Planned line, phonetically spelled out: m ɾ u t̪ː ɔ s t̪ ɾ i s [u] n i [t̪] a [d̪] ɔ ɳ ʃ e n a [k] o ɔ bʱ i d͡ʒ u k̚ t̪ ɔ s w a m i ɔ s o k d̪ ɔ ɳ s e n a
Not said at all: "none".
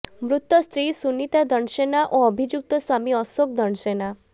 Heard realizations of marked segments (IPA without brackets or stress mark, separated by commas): u, t̪, d̪, ʔ